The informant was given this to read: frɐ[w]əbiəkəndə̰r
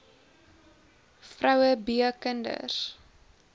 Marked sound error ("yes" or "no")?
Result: no